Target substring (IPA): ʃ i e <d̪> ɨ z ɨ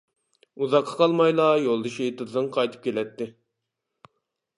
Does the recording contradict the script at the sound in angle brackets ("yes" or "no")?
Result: yes